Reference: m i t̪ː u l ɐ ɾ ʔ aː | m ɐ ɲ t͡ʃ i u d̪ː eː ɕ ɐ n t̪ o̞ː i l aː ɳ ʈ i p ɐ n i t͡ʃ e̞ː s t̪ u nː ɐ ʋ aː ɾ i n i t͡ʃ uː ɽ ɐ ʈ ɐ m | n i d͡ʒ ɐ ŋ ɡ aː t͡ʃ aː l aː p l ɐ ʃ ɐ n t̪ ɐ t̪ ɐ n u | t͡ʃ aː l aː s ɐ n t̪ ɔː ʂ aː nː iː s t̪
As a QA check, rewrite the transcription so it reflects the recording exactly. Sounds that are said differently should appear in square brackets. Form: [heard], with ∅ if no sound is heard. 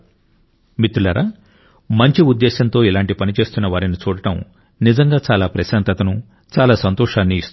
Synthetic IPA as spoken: m i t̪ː u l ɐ ɾ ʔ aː | m ɐ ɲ t͡ʃ i u d̪ː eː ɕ ɐ n t̪ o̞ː i l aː ɳ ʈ i p ɐ n i t͡ʃ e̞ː s t̪ u nː ɐ ʋ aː ɾ i n i t͡ʃ uː ɽ ɐ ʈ ɐ m | n i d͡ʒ ɐ ŋ ɡ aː t͡ʃ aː l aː p [ɾ] ɐ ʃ ɐ n t̪ ɐ t̪ ɐ n u | t͡ʃ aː l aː s ɐ n t̪ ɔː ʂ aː nː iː s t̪